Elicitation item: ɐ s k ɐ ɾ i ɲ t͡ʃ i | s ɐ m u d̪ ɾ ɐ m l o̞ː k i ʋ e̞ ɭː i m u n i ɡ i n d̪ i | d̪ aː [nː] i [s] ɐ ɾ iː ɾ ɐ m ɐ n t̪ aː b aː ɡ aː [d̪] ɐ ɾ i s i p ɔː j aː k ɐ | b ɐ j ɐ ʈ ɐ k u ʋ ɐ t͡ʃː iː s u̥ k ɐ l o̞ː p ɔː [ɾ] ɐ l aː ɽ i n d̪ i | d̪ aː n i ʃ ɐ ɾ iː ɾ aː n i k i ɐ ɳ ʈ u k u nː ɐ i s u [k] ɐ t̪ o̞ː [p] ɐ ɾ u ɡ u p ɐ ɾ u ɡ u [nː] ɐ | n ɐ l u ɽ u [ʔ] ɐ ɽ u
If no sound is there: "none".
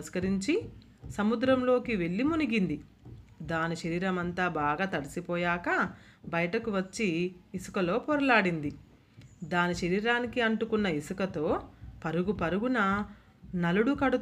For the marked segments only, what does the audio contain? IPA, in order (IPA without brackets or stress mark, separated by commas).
n, ʃ, t̪, ɾ, k, p, n, k